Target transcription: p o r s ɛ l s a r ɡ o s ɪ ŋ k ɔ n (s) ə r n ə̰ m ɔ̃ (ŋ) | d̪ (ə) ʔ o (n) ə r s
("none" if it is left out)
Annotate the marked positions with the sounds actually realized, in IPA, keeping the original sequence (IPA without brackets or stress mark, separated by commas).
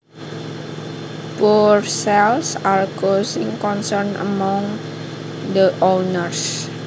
s, ŋ, ə, n